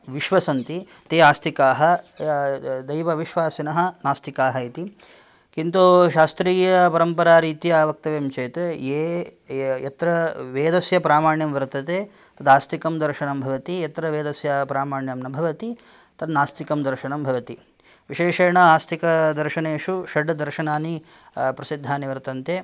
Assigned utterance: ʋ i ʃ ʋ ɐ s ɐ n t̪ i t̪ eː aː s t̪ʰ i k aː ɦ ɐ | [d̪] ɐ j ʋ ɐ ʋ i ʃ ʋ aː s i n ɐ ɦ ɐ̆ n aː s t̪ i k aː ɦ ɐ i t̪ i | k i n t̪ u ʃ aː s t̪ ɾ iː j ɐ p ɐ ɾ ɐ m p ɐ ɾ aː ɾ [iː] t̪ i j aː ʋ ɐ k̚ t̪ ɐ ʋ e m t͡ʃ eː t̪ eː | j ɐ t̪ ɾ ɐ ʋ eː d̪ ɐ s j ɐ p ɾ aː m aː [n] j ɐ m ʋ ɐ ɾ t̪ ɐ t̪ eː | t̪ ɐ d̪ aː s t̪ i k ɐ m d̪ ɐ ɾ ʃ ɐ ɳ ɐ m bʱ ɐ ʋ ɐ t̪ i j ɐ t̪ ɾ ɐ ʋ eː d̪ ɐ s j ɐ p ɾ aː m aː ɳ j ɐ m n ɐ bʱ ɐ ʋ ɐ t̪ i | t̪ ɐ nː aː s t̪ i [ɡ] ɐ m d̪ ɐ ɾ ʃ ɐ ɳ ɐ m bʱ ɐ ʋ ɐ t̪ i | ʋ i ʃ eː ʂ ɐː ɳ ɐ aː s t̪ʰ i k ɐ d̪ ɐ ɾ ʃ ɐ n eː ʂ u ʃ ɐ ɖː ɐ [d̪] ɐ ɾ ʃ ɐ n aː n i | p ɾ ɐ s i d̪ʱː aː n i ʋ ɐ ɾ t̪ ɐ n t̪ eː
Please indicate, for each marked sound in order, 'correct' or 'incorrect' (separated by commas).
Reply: correct, correct, incorrect, incorrect, correct